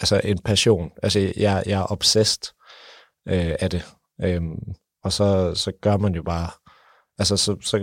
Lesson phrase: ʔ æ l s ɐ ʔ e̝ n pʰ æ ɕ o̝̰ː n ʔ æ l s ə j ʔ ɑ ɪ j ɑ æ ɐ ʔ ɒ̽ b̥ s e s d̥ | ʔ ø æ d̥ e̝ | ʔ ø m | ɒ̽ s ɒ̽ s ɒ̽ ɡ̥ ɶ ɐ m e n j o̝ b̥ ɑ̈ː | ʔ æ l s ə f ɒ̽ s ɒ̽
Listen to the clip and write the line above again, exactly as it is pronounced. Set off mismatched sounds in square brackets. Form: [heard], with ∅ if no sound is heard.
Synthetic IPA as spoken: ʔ æ l s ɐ ʔ e̝ n pʰ æ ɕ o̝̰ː n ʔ æ l s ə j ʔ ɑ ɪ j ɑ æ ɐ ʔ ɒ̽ b̥ s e s d̥ | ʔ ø æ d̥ e̝ | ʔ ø m | ɒ̽ s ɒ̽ s ɒ̽ ɡ̥ ɶ ɐ m [æ] n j o̝ b̥ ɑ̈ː | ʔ æ l s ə [s] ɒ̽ s ɒ̽